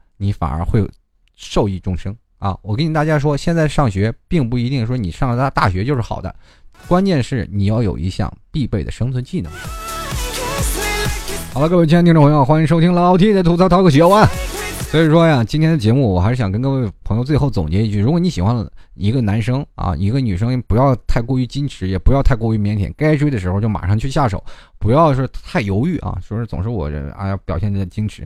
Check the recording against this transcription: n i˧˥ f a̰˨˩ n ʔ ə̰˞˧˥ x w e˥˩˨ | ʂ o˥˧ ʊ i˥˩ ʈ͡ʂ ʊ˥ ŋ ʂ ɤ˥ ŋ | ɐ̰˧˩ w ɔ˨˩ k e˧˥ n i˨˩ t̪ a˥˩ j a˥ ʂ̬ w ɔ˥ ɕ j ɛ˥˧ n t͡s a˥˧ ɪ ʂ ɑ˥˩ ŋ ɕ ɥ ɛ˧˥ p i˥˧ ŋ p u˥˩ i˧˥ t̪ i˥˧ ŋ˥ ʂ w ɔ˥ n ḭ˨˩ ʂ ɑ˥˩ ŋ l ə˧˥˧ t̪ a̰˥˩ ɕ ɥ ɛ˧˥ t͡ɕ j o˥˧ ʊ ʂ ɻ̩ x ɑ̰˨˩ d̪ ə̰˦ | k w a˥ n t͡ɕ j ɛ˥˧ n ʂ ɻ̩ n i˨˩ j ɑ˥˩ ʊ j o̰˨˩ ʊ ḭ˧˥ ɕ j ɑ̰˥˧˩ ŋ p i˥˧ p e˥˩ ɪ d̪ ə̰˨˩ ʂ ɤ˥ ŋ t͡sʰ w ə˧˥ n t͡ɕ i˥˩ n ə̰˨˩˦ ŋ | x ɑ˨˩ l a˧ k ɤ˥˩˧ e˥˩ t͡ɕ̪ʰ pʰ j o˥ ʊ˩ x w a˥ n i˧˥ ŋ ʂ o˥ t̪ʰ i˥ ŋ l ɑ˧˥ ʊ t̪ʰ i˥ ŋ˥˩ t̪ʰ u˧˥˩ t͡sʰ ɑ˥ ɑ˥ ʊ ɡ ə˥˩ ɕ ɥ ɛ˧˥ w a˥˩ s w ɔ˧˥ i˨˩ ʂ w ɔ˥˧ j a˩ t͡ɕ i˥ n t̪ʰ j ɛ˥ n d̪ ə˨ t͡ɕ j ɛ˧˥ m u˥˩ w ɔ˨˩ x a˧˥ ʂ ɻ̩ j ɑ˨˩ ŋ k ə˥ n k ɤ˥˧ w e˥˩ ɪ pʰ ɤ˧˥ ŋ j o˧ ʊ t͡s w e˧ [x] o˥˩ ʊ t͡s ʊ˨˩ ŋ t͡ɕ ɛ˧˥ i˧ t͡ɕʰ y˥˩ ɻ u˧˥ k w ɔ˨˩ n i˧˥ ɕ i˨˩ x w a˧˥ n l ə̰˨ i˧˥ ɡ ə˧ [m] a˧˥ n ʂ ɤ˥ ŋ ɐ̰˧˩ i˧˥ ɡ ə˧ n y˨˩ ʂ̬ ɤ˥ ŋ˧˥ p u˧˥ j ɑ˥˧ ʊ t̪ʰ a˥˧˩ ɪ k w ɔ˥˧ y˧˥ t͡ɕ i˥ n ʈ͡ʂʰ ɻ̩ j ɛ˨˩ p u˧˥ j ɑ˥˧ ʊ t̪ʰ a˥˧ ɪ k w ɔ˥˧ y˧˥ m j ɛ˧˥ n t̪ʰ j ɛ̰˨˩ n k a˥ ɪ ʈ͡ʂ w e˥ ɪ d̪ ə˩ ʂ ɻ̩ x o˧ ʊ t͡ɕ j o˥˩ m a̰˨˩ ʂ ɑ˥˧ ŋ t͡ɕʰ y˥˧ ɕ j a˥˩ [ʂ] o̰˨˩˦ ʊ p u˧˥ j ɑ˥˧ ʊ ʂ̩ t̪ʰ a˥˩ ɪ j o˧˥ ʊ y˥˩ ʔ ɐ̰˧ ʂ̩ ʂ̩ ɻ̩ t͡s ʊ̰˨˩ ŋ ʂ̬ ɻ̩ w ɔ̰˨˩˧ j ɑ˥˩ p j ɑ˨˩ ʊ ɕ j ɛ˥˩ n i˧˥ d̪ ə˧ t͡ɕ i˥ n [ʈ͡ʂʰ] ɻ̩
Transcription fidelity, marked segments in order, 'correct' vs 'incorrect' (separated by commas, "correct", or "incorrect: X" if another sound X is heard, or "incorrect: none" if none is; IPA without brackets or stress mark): correct, incorrect: n, correct, correct